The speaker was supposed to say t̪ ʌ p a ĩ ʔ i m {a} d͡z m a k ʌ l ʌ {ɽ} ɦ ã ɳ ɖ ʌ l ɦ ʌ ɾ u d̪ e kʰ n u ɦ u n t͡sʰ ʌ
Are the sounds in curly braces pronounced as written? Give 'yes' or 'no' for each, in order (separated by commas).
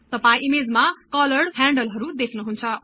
no, yes